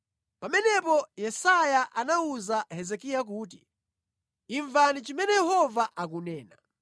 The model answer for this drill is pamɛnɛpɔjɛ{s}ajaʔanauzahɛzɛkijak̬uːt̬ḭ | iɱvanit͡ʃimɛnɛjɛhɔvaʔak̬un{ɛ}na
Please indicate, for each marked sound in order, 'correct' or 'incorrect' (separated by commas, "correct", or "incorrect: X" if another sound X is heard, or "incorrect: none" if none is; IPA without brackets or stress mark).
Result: correct, incorrect: ɛː